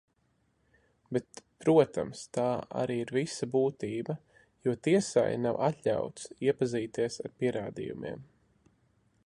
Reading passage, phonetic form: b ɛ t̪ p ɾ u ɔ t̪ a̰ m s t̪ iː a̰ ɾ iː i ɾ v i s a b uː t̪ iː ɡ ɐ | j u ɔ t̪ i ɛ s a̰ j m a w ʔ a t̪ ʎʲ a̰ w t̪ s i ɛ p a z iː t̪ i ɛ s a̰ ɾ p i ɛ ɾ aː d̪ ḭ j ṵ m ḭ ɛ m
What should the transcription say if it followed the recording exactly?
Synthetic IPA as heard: b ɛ t̪ p ɾ u ɔ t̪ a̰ m s t̪ aː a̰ ɾ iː i ɾ v i s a b uː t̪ iː b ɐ | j u ɔ t̪ i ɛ s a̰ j n a w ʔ a t̪ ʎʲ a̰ w t̪ s i ɛ p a z iː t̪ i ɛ s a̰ ɾ p i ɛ ɾ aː d̪ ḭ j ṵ m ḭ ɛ m